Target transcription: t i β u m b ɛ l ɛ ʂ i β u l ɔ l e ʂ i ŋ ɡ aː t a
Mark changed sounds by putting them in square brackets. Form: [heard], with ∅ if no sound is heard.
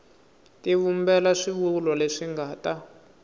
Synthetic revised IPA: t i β u m b ɛ l [a] ʂ i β u l ɔ l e ʂ i ŋ ɡ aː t a